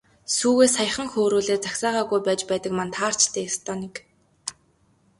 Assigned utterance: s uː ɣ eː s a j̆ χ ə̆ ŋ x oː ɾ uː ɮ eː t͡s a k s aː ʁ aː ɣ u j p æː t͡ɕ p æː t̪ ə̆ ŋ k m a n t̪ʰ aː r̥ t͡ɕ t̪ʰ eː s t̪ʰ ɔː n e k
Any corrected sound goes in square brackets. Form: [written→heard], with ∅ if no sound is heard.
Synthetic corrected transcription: s uː ɣ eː s a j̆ χ ə̆ ŋ x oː ɾ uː ɮ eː t͡s a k s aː ʁ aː ɣ u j p æː t͡ɕ p æː t̪ ə̆ [ŋ→∅] k m a n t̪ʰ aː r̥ t͡ɕ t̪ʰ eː s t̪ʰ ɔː n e k

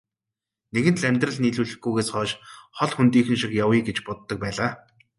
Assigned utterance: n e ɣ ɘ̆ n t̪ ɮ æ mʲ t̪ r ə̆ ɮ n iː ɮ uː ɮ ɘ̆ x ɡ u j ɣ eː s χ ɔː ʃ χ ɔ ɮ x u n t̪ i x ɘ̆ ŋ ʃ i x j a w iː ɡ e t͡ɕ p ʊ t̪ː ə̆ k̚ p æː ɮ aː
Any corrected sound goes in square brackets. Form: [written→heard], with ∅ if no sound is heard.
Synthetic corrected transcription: n e ɣ ɘ̆ n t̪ ɮ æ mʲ t̪ r ə̆ ɮ n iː ɮ uː ɮ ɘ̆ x ɡ u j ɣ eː s χ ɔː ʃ χ ɔ ɮ x u n t̪ [i→iː] x ɘ̆ [ŋ→n] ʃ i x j a w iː ɡ e t͡ɕ p ʊ t̪ː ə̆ k̚ p æː ɮ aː

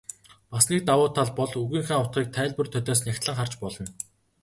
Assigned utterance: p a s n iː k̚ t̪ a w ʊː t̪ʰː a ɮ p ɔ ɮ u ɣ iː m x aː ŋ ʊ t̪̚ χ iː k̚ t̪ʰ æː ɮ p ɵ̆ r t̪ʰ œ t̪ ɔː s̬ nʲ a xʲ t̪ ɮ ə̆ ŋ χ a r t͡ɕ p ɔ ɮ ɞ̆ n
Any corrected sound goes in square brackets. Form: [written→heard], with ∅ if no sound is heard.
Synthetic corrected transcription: p a s n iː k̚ t̪ a w ʊː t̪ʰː a ɮ p ɔ ɮ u ɣ iː [m→ŋ] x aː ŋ ʊ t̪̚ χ iː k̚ t̪ʰ æː ɮ p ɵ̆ r t̪ʰ œ t̪ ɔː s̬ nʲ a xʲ t̪ ɮ ə̆ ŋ χ a r t͡ɕ p ɔ ɮ ɞ̆ n

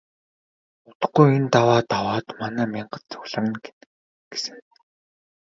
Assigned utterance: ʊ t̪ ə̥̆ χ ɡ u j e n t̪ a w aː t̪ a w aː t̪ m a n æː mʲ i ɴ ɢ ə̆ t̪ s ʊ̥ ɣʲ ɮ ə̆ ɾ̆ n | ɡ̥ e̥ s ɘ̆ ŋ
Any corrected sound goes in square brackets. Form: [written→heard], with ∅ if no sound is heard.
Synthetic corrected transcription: ʊ t̪ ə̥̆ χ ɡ u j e n t̪ a w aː t̪ a w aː t̪ m a n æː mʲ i ɴ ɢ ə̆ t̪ [s→t͡s] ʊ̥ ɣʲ ɮ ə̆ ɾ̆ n | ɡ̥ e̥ s ɘ̆ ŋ

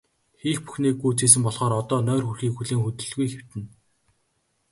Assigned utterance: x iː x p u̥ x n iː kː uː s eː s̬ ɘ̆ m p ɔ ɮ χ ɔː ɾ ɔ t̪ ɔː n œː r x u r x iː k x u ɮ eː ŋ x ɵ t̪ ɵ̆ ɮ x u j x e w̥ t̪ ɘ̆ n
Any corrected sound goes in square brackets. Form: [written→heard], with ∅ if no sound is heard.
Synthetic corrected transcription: x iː x p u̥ x n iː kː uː [s→t͡s] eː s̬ ɘ̆ m p ɔ ɮ χ ɔː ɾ ɔ t̪ ɔː n œː r x u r x iː k x u ɮ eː ŋ x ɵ t̪ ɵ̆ ɮ [x→ɣ] u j x e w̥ t̪ ɘ̆ n

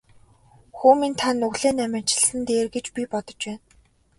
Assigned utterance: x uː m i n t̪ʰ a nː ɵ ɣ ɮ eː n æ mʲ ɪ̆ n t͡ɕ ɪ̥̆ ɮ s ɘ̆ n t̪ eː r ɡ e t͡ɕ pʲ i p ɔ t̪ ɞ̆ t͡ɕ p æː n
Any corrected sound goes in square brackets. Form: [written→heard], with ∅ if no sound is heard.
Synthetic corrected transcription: x uː m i n t̪ʰ a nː ɵ ɣ ɮ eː n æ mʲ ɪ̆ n t͡ɕ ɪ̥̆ ɮ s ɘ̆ n t̪ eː r ɡ e t͡ɕ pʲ i p ɔ t̪ ɞ̆ t͡ɕ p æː n

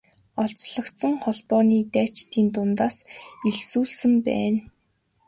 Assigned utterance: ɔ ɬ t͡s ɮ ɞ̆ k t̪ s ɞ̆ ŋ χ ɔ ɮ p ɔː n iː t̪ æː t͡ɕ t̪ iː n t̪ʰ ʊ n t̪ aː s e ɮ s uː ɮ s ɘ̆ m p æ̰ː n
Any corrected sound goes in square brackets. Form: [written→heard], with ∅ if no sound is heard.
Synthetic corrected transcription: ɔ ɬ t͡s ɮ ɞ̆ k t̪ s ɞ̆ ŋ χ ɔ ɮ p ɔː n iː t̪ æː t͡ɕ t̪ iː n [t̪ʰ→t̪] ʊ n t̪ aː s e ɮ s uː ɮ s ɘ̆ m p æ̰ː n

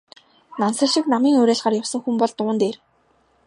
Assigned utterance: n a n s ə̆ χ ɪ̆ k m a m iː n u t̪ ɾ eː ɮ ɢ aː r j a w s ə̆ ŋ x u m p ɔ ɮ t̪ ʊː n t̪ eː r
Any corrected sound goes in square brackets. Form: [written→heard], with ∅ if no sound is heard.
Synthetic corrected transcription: n a n s ə̆ [χ→ʃ] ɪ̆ k [m→n] a m iː [n→ŋ] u [t̪→∅] ɾ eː ɮ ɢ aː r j a w s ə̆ ŋ x u m p ɔ ɮ t̪ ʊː n t̪ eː r

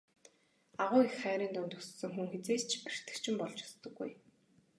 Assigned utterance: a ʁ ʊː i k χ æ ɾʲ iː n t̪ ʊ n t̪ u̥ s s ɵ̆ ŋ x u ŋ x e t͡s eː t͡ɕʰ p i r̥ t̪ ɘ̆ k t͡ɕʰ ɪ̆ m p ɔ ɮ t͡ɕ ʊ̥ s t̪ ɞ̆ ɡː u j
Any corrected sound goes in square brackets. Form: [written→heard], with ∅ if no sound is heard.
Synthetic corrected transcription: a ʁ ʊː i [k→x] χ [æ→æː] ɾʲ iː n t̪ ʊ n t̪ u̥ s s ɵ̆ ŋ x u ŋ x e t͡s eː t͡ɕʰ p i r̥ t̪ ɘ̆ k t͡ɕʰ ɪ̆ m p ɔ ɮ t͡ɕ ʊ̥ s t̪ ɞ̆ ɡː u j

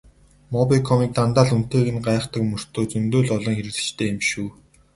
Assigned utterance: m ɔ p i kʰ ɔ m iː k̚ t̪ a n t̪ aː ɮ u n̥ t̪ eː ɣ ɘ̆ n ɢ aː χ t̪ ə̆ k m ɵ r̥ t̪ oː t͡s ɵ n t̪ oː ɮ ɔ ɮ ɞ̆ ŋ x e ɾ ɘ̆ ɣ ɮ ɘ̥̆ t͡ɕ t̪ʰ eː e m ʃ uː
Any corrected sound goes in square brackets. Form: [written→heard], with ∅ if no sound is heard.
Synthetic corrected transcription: m ɔ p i kʰ ɔ m iː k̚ t̪ a n t̪ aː ɮ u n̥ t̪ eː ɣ ɘ̆ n ɢ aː χ t̪ ə̆ k m ɵ r̥ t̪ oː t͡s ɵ n t̪ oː ɮ ɔ ɮ ɞ̆ ŋ x e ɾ ɘ̆ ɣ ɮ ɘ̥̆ t͡ɕ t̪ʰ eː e m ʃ uː

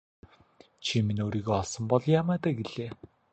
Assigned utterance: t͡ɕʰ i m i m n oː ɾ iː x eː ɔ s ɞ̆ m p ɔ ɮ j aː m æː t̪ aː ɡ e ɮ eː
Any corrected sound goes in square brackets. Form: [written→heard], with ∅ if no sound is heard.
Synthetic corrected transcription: t͡ɕʰ i m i [m→∅] n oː ɾ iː [x→ɣ] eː ɔ s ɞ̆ m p ɔ ɮ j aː m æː t̪ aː ɡ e ɮ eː

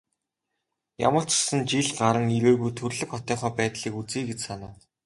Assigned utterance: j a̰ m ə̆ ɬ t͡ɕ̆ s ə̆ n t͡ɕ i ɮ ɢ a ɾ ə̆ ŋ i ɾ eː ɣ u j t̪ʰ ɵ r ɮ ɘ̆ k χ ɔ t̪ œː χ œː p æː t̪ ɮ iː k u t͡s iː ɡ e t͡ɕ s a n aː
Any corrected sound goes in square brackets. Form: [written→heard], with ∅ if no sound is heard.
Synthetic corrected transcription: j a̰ m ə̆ ɬ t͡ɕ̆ s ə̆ n t͡ɕ i ɮ ɢ a ɾ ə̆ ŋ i ɾ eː ɣ u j t̪ʰ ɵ r ɮ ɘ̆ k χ ɔ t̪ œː χ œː p æː t̪ ɮ iː k u t͡s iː ɡ e t͡ɕ s a n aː

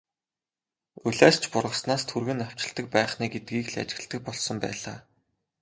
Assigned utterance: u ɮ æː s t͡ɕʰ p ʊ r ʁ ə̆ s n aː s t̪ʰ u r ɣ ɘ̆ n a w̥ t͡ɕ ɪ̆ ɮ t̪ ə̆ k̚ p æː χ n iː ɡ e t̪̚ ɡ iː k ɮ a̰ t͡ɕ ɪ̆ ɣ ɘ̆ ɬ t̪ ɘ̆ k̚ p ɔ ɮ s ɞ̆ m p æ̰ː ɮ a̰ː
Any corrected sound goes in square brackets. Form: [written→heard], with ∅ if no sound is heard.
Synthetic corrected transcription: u ɮ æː s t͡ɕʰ p ʊ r ʁ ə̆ s n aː s t̪ʰ u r ɣ ɘ̆ n a w̥ t͡ɕ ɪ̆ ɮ t̪ ə̆ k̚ p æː χ n iː ɡ e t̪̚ ɡ iː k ɮ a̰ t͡ɕ ɪ̆ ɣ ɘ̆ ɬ t̪ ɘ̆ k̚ p ɔ ɮ s ɞ̆ m p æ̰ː ɮ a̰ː

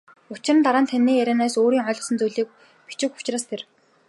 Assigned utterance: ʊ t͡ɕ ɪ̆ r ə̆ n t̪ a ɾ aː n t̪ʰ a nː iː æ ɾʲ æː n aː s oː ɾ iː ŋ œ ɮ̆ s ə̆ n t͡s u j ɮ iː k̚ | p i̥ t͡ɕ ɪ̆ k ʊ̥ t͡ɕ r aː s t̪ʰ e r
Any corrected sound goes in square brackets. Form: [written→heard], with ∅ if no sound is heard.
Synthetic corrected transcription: ʊ t͡ɕ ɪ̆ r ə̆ n t̪ a ɾ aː n t̪ʰ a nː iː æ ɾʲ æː n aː s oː ɾ iː ŋ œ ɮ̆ s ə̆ n t͡s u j ɮ iː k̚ | p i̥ t͡ɕ ɪ̆ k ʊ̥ t͡ɕ r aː s t̪ʰ e r

